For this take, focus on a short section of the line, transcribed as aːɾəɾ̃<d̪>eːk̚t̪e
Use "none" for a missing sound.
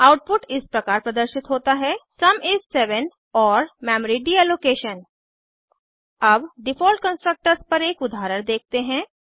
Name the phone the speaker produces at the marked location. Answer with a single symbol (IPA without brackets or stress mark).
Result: d̪